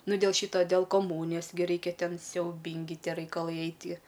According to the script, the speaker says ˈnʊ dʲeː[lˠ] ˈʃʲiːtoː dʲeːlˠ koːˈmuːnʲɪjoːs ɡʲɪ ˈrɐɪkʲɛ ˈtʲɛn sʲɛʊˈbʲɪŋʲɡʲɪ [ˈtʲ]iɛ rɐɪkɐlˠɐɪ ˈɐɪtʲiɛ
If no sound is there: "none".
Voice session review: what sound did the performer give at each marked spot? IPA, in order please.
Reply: lˠ, tʲ

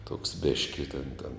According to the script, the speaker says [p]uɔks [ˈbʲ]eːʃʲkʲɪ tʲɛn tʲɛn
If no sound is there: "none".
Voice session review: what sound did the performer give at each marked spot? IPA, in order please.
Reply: t, bʲ

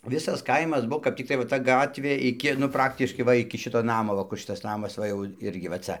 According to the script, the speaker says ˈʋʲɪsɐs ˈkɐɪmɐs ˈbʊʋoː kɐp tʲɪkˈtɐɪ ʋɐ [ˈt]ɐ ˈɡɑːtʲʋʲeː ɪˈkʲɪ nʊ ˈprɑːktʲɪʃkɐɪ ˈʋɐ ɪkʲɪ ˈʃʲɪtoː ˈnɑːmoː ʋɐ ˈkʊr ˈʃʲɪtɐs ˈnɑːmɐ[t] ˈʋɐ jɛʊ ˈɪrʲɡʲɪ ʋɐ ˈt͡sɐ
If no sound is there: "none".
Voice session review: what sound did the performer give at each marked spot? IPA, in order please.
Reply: t, s

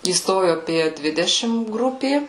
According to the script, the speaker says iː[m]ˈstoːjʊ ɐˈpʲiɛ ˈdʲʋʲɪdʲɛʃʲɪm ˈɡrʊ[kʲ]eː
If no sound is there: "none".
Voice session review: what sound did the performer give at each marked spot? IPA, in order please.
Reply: none, pʲ

